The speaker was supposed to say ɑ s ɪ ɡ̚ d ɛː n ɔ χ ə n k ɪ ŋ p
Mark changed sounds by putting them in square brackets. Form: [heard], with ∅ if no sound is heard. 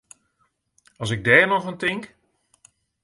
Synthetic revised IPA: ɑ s ɪ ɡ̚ d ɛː n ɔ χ ə n [t] ɪ ŋ [k]